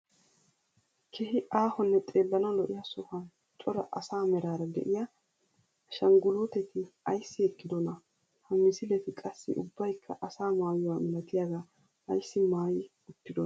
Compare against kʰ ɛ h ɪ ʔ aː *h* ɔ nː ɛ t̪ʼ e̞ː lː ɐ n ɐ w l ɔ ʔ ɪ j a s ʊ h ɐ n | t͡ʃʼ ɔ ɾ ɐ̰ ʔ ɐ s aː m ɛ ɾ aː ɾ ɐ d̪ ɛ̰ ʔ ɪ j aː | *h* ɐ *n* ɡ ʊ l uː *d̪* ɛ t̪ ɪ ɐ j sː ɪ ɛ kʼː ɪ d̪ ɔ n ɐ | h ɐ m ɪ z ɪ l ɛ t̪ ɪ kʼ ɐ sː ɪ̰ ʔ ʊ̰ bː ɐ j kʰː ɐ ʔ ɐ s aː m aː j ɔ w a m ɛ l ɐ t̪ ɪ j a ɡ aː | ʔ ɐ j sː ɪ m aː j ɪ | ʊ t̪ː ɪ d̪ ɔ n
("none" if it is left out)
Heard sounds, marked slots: h, ʃ, ŋ, t̪

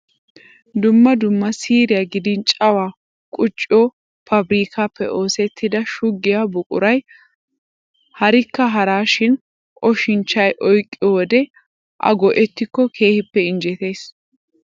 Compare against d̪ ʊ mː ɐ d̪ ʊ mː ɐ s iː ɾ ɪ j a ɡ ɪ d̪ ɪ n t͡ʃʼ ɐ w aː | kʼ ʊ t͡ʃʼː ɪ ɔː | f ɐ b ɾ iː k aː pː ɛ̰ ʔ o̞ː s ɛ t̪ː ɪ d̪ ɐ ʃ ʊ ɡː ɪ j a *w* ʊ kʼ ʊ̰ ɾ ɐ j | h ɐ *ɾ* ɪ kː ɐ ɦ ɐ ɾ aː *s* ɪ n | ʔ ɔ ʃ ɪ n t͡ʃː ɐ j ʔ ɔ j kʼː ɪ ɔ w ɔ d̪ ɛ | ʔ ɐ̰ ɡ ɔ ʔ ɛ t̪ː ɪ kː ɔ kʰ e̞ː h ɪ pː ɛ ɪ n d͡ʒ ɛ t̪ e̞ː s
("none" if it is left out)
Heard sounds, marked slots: b, ɾ, ʃ

